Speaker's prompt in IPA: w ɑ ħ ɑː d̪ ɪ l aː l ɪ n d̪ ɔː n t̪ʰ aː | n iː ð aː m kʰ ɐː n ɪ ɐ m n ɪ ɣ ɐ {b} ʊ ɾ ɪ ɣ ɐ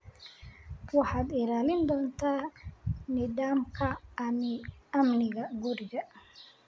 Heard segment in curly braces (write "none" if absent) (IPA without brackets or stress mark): ɡ